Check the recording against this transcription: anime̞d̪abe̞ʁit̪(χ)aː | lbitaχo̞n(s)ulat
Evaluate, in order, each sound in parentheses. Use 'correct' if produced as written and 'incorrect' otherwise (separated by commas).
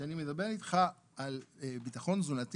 correct, incorrect